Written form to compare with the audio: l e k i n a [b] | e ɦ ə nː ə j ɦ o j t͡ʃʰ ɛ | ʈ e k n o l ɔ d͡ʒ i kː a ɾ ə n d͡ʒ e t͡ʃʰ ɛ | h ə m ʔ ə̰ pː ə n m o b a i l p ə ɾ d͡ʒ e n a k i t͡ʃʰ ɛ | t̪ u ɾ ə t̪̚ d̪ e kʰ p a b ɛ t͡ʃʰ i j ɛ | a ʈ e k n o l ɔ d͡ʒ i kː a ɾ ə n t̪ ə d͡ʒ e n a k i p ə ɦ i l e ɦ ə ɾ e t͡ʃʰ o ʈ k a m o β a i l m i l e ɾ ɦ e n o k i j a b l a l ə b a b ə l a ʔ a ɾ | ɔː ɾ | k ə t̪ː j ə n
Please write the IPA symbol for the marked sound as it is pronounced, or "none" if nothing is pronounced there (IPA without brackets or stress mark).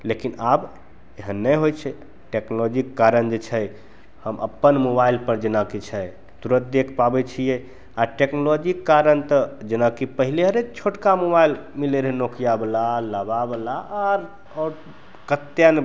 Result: b